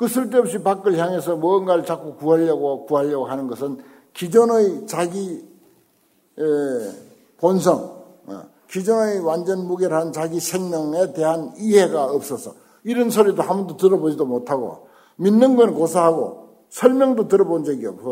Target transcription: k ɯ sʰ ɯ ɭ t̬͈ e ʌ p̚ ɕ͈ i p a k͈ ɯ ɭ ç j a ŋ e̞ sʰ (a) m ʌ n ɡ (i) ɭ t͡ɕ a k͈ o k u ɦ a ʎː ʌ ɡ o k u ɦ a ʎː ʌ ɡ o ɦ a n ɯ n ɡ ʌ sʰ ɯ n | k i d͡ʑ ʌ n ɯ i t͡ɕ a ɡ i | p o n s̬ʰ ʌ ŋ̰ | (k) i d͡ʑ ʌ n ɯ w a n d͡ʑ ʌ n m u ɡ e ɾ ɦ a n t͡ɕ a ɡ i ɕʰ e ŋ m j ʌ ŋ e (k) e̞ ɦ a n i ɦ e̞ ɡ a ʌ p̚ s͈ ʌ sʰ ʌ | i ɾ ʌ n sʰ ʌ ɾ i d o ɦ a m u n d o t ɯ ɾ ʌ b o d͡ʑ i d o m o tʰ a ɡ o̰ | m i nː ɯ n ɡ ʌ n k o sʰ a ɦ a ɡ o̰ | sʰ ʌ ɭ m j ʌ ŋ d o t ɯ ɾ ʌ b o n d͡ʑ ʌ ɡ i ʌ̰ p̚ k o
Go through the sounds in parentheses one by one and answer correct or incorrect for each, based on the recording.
incorrect, incorrect, correct, incorrect

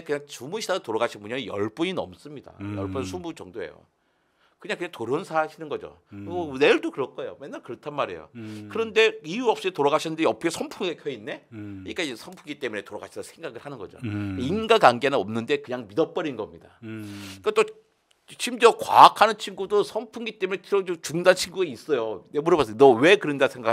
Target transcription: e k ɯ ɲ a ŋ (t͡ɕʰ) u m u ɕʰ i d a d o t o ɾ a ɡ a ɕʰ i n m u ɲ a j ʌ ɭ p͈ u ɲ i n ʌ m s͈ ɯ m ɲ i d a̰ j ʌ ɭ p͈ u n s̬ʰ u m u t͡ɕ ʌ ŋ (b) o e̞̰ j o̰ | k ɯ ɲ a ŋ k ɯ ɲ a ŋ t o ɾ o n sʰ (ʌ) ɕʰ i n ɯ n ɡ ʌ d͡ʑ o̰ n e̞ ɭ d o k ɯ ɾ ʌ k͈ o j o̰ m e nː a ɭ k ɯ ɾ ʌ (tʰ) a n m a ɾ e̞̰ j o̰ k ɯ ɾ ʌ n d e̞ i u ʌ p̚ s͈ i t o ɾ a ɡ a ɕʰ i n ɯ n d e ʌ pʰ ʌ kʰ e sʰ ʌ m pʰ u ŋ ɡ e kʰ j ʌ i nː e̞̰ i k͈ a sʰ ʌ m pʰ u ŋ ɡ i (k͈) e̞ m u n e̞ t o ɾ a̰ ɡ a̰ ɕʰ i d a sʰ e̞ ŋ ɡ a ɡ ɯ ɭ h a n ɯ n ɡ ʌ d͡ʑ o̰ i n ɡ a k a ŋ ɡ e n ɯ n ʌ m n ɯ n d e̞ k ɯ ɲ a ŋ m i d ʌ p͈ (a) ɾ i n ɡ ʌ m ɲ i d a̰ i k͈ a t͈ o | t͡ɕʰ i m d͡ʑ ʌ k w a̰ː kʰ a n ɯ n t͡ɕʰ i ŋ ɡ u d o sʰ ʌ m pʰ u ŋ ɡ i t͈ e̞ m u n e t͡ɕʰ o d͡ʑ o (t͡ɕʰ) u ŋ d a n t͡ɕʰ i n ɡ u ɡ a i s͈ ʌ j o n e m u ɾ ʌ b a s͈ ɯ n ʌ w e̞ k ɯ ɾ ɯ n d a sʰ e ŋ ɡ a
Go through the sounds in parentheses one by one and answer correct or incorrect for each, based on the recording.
incorrect, incorrect, incorrect, correct, incorrect, incorrect, incorrect

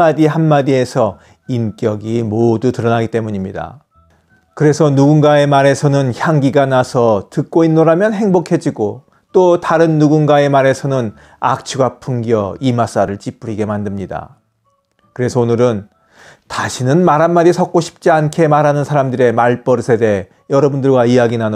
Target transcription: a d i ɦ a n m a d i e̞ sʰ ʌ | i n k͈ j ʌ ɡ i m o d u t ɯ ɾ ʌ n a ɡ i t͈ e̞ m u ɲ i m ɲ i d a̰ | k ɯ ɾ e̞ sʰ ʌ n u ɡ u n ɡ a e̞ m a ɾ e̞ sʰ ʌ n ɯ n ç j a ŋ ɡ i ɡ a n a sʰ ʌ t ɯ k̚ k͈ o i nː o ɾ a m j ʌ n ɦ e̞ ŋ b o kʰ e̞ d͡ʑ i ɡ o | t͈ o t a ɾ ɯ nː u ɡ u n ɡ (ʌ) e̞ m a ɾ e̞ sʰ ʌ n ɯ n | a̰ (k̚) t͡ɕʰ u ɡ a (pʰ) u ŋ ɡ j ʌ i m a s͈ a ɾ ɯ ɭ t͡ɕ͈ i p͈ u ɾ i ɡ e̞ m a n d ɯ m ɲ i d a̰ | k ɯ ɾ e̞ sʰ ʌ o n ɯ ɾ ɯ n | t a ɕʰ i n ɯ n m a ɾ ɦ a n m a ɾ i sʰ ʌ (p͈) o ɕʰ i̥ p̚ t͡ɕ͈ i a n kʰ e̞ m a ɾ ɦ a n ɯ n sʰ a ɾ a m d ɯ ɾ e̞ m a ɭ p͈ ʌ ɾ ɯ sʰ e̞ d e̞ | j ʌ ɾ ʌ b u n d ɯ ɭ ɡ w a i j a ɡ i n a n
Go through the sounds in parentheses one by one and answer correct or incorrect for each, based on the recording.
incorrect, correct, correct, incorrect

